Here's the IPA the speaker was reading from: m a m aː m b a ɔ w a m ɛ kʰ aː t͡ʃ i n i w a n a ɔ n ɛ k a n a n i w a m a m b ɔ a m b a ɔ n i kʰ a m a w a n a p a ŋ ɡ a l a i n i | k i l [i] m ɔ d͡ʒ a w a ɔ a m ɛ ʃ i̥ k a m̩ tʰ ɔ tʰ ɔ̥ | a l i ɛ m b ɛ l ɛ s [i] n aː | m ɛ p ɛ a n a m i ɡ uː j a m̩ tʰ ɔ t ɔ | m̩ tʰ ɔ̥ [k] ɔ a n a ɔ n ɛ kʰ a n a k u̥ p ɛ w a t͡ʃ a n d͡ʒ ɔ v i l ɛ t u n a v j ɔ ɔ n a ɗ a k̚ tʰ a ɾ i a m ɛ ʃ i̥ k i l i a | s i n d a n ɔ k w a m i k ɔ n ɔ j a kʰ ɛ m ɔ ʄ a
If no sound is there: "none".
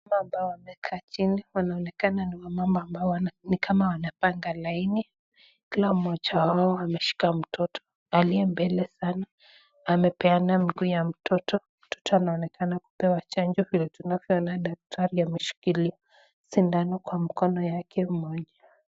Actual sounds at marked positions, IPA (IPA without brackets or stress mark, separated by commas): a, a, t